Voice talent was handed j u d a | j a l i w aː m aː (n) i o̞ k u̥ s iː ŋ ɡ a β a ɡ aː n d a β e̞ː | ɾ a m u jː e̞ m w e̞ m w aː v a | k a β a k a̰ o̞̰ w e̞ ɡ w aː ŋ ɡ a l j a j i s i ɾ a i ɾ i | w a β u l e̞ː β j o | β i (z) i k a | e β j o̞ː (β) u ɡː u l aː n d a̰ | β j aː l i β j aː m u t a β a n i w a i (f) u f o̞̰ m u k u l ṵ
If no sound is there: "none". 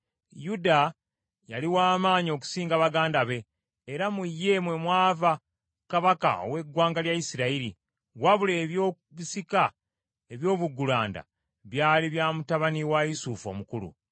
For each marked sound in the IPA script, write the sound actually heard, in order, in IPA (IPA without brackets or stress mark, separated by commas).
ɲ, s, β, s